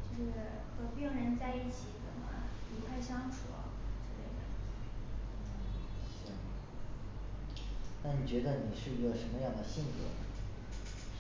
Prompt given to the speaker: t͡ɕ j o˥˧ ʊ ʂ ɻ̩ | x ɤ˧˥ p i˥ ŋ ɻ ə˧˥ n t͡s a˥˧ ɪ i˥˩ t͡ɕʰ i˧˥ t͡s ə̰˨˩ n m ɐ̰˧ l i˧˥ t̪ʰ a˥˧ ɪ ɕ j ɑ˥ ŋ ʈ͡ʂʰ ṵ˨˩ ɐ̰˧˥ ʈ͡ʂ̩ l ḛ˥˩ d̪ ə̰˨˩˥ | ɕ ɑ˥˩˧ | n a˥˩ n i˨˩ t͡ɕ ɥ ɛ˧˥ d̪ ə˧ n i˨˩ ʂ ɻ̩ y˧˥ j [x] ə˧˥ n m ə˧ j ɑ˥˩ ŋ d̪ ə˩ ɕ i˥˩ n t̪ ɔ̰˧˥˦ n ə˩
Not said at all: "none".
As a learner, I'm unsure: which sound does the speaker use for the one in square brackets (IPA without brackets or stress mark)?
ʂ